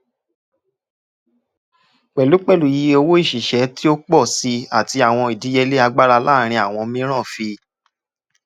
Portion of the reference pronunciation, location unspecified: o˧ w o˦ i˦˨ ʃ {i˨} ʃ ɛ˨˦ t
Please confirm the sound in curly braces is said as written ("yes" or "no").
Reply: yes